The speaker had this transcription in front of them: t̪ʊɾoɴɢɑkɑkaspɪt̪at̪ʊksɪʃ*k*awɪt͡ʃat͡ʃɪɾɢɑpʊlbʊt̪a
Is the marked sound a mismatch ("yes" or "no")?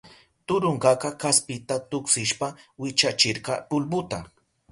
yes